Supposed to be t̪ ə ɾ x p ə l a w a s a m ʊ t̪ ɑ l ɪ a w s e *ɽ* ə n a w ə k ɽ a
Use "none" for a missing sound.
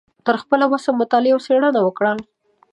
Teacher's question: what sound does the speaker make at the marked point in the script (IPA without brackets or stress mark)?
ɽ